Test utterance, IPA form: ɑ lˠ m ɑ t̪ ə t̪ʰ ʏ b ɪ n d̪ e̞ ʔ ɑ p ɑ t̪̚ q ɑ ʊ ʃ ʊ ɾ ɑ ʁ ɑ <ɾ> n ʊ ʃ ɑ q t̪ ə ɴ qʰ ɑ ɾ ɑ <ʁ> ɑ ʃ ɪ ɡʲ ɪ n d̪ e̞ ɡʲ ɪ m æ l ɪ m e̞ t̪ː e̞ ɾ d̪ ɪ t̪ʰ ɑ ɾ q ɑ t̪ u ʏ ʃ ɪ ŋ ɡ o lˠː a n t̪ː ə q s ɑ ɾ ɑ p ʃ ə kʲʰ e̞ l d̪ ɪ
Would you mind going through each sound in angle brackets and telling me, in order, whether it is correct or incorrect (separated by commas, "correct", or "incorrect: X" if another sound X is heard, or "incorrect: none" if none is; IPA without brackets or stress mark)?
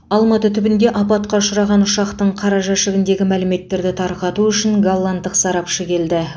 incorrect: none, incorrect: ʒ